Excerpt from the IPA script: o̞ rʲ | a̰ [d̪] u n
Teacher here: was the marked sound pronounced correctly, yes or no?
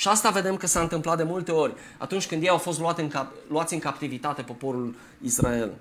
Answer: no